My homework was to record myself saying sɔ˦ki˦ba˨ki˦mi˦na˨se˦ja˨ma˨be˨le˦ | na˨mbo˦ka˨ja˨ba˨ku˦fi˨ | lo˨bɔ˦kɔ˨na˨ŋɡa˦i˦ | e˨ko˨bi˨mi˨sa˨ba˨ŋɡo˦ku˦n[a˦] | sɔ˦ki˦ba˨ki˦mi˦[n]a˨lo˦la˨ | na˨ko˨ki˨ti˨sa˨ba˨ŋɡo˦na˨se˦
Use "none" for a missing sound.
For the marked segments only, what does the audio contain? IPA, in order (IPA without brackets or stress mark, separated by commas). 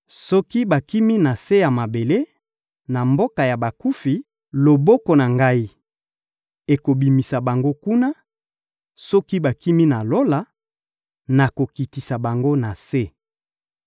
a˦, n